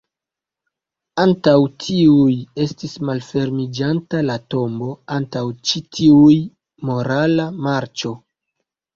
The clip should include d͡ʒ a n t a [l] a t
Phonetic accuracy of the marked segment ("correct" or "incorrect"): correct